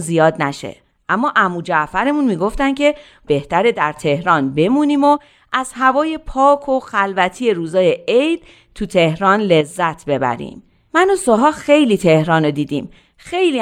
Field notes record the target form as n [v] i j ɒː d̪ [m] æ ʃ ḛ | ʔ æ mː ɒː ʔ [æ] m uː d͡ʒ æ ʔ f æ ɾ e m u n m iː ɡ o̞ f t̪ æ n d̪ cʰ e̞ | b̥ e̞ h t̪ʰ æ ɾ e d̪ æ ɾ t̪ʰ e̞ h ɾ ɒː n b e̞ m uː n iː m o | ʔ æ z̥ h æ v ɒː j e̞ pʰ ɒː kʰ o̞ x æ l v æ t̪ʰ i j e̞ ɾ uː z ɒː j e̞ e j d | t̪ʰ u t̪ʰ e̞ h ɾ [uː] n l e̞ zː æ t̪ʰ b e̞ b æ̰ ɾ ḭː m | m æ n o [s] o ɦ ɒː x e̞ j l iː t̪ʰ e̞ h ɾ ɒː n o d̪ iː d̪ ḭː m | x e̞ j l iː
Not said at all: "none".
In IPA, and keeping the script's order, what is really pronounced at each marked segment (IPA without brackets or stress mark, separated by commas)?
z, n, æ, ɒː, s